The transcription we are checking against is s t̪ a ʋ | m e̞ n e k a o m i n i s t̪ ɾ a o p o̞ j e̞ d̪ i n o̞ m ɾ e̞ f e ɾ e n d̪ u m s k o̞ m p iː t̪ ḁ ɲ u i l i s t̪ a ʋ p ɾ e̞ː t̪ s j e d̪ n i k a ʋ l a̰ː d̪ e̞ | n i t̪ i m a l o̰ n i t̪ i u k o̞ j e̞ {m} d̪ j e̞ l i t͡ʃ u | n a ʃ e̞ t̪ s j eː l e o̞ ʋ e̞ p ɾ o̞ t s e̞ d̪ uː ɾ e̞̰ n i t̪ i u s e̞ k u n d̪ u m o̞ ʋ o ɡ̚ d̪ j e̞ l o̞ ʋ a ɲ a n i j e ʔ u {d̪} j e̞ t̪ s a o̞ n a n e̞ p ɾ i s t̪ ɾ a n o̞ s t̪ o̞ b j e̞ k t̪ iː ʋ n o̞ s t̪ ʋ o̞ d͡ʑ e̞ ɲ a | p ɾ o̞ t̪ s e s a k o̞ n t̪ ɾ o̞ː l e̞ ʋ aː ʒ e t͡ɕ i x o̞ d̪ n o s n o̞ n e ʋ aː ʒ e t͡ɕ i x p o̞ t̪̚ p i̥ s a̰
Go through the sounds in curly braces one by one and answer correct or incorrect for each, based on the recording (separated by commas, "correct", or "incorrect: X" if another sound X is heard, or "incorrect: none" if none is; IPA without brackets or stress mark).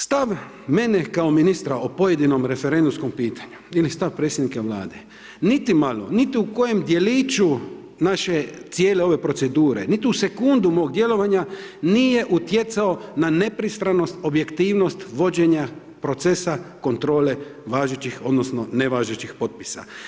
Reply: correct, incorrect: t̪